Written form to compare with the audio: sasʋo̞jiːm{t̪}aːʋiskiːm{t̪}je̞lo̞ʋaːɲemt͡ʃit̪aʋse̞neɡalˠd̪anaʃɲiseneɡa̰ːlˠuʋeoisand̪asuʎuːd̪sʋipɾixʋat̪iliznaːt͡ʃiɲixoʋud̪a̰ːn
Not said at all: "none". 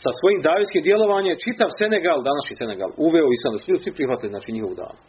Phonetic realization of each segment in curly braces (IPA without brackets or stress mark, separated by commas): d̪, d̪